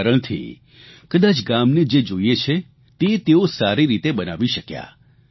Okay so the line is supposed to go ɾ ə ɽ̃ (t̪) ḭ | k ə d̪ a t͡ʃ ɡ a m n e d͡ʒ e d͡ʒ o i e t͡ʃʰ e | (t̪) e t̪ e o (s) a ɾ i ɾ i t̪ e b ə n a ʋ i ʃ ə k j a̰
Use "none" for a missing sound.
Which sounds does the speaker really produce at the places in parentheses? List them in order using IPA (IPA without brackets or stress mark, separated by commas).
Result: t̪ʰ, t̪, s